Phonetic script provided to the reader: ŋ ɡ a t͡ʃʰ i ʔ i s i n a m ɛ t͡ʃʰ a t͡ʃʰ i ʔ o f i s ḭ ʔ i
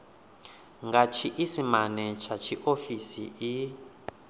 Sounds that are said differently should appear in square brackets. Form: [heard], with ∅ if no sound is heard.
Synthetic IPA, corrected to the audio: ŋ ɡ a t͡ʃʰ i ʔ i s i [m] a [n] ɛ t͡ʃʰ a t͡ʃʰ i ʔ o f i s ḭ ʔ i